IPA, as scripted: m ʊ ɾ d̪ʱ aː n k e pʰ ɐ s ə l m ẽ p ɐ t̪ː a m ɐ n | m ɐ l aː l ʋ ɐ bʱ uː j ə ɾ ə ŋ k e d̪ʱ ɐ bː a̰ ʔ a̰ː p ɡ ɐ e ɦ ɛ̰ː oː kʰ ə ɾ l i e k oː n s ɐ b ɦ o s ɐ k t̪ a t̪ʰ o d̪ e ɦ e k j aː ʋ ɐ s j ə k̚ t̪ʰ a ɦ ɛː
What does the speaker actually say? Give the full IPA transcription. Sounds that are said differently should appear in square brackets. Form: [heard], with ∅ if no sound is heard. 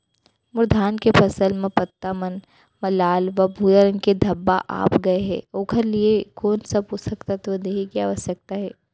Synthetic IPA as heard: m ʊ ɾ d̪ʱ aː n k e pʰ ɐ s ə l m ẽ p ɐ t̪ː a m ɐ n | m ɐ l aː l ʋ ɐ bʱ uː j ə ɾ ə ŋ k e d̪ʱ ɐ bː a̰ ʔ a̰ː p ɡ ɐ e ɦ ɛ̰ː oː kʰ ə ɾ l i e k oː n s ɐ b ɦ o s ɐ k t̪ a [t̪] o d̪ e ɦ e k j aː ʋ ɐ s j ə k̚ [t̪] a ɦ ɛː